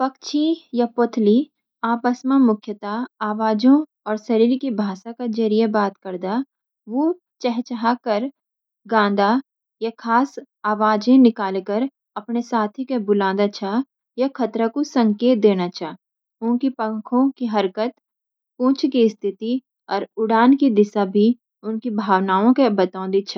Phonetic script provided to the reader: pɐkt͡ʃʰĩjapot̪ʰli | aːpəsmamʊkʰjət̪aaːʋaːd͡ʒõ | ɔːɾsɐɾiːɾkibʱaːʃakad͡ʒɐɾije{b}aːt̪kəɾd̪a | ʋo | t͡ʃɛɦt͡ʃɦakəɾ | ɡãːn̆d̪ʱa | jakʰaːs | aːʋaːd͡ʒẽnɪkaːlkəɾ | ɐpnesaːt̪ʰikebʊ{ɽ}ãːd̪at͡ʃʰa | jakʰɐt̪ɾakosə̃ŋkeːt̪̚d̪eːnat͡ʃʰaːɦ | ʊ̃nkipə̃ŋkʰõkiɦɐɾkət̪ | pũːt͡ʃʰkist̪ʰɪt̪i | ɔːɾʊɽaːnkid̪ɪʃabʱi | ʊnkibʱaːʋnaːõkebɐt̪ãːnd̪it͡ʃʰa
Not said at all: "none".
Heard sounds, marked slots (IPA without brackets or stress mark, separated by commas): b, l